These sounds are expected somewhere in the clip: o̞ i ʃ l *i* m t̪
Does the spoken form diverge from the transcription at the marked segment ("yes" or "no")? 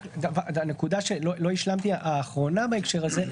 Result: yes